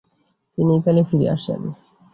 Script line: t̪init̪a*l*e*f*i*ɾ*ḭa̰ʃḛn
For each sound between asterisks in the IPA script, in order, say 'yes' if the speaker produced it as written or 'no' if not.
yes, yes, yes

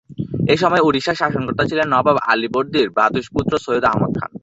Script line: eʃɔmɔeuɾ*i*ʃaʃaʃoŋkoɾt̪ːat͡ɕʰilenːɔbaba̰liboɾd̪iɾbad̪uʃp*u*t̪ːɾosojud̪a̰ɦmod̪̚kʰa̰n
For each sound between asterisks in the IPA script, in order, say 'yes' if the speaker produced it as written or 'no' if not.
yes, yes

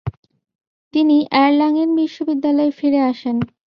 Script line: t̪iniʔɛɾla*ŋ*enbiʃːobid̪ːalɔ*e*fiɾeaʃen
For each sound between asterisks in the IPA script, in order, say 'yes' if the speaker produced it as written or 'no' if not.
yes, yes

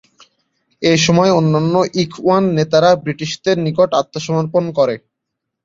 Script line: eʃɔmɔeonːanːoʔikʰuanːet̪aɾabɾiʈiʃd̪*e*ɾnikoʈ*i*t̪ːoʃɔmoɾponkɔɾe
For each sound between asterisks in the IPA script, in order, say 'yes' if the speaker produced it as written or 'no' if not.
yes, no

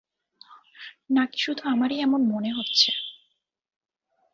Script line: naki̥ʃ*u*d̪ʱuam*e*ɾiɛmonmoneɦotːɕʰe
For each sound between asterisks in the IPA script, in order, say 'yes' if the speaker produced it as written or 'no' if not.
yes, no

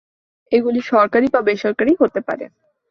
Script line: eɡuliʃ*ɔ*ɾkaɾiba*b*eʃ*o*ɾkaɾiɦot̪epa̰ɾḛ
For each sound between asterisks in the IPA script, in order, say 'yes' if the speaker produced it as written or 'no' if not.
yes, yes, no

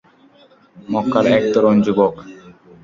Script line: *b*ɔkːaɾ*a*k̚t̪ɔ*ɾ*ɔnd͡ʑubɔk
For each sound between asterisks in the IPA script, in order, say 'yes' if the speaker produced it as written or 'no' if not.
no, no, yes

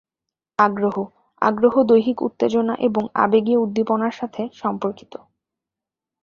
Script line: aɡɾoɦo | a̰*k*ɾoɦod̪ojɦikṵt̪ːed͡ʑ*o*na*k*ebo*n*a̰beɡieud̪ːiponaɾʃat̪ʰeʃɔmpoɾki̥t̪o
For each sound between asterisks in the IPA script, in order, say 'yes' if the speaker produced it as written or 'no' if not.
no, yes, no, no

